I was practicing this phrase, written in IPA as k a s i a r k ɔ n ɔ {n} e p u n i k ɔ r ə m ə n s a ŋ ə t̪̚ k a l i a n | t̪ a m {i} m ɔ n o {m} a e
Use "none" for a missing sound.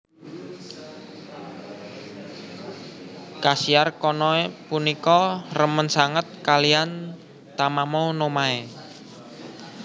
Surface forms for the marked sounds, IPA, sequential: none, a, m

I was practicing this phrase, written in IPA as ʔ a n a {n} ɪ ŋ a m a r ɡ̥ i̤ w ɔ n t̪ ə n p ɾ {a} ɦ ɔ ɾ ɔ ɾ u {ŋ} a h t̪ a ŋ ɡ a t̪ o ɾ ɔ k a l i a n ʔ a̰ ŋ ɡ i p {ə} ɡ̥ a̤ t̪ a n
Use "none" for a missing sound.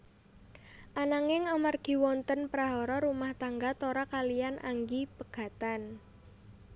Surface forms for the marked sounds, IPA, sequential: ŋ, a, m, ə

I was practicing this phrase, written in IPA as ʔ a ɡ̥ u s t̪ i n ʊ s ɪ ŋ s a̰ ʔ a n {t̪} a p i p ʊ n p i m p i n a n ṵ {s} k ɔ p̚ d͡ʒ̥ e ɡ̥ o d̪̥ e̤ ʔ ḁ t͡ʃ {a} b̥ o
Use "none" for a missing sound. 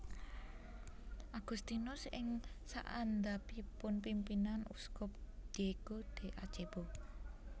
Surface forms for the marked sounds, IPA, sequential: d̪, s, e

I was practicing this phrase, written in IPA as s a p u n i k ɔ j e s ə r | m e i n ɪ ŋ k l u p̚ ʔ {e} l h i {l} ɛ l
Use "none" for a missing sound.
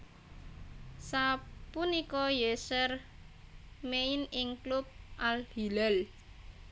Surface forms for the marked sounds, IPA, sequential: a, l

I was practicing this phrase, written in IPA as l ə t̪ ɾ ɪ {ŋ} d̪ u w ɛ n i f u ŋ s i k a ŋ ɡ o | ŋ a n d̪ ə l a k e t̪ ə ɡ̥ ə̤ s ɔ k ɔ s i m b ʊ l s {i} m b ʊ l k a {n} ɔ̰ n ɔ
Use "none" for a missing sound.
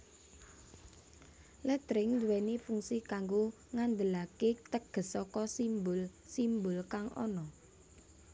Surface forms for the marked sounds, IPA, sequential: ŋ, i, ŋ

